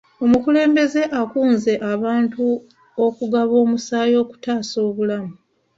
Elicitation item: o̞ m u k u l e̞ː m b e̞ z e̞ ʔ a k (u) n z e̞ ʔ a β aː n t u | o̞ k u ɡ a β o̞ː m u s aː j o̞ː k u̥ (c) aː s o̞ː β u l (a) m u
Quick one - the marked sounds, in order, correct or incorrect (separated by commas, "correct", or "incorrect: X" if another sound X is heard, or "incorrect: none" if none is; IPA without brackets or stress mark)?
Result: incorrect: uː, incorrect: t, correct